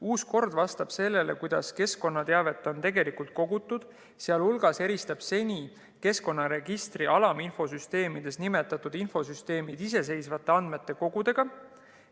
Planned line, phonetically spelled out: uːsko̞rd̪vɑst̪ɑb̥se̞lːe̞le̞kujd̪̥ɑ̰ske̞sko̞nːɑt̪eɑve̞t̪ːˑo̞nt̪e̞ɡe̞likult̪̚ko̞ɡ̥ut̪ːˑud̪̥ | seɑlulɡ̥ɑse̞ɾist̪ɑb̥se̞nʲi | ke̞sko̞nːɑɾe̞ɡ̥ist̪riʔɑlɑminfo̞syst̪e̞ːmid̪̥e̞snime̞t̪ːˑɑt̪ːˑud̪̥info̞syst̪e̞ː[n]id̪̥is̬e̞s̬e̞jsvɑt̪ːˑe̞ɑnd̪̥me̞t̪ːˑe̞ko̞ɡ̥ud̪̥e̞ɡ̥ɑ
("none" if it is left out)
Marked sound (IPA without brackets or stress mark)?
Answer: m